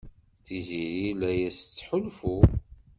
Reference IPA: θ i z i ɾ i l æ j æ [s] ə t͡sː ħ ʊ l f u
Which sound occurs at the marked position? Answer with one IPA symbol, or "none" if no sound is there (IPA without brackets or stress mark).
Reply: s